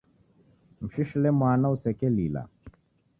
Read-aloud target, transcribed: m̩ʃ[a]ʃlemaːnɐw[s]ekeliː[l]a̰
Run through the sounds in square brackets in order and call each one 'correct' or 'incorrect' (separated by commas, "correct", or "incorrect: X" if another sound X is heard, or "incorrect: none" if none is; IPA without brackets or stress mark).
incorrect: i, correct, correct